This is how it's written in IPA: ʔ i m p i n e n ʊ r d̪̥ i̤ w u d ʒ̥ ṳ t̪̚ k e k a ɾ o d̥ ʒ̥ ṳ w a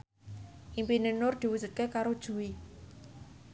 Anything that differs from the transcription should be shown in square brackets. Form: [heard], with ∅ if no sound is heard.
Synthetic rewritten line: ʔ i m p i n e n ʊ r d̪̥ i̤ w u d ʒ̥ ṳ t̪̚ k e k a ɾ o d̥ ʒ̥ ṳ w [i]